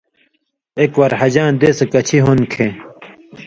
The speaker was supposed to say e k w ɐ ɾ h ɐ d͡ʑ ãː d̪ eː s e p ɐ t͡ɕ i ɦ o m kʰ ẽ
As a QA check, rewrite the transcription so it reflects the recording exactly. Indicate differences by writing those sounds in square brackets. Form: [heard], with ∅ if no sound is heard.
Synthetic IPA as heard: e k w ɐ ɾ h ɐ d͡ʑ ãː d̪ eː s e [k] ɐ [t͡ɕʰ] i ɦ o [n] kʰ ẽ